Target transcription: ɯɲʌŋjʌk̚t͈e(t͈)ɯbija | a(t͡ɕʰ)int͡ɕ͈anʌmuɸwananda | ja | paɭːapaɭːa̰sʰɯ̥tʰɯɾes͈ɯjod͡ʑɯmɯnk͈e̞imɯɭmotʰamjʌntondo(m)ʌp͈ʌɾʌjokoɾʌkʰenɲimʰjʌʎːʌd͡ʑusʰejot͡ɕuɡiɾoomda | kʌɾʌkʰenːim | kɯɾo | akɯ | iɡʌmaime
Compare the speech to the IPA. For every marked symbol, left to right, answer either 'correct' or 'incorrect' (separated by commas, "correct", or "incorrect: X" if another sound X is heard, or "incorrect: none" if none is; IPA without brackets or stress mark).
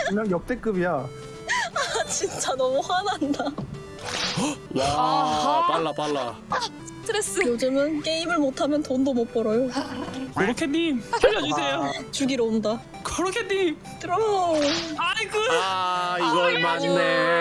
incorrect: k͈, incorrect: t͡ɕ, correct